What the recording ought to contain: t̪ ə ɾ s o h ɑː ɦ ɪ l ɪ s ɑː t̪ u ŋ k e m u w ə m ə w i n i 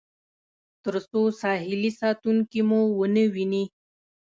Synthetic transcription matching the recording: t̪ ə ɾ s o s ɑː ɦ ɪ l i s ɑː t̪ u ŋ k i m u w ə n ə w i n i